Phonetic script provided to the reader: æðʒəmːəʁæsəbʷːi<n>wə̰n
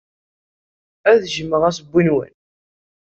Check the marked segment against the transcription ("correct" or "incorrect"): correct